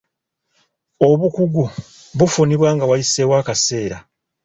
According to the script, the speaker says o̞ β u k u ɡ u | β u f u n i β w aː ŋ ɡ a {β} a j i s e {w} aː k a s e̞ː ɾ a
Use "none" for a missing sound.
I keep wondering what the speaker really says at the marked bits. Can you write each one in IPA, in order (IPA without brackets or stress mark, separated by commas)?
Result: w, w